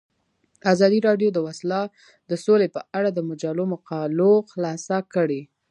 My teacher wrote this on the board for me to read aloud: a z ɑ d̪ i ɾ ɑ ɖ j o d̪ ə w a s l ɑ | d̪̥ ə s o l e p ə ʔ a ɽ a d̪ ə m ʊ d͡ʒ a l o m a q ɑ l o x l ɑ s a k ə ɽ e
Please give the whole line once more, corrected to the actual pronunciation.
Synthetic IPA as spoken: a z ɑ d̪ i ɾ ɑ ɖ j o d̪ ə w a s l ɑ | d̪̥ ə s o l e p ə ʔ a ɽ a d̪ ə m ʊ d͡ʒ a l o m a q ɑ l o x l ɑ s a k ə ɽ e